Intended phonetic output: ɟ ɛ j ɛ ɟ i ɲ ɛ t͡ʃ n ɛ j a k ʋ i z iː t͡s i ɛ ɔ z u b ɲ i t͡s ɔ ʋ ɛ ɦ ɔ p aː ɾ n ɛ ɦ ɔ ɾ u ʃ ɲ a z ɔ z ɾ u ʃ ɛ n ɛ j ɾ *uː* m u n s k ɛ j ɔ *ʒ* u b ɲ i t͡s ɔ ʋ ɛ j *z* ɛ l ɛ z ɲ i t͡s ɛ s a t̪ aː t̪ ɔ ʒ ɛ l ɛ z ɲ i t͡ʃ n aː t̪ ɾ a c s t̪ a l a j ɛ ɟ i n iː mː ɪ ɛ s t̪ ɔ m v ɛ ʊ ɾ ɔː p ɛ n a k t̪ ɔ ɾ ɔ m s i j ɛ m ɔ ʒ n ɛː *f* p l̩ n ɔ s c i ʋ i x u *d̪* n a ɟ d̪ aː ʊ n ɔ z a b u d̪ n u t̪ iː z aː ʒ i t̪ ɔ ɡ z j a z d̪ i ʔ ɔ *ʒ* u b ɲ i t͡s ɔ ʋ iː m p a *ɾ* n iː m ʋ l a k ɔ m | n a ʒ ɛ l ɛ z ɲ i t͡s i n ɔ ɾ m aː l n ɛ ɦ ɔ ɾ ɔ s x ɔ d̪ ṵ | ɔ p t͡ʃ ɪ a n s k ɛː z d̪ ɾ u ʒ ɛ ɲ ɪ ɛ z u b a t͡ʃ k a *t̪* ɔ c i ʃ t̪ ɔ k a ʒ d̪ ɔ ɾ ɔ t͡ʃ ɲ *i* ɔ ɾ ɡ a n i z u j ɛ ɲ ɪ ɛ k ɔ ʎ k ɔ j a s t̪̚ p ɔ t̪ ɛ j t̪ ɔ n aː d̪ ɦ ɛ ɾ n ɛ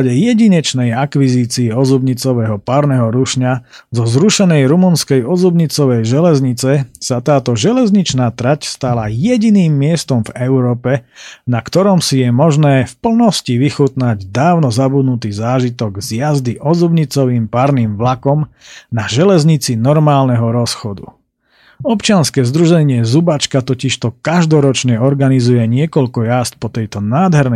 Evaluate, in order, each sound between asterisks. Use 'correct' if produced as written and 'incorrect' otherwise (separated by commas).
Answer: incorrect, incorrect, incorrect, correct, incorrect, incorrect, correct, correct, incorrect